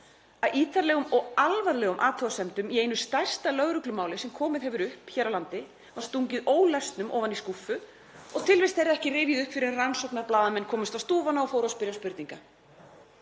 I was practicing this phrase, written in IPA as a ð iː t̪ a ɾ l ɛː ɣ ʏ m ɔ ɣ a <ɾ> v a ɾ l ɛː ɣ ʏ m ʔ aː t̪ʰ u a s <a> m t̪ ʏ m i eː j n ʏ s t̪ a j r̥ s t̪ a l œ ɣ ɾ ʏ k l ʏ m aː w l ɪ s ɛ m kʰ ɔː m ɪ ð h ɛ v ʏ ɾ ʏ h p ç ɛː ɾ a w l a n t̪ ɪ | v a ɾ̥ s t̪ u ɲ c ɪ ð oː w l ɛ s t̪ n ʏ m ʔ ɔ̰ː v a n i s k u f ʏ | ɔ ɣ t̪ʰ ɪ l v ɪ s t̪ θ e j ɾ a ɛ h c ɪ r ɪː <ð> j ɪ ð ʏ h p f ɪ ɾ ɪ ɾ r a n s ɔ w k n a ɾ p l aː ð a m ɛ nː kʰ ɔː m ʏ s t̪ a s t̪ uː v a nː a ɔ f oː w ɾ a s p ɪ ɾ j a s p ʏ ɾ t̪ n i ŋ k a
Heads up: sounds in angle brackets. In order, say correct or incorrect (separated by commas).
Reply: incorrect, incorrect, incorrect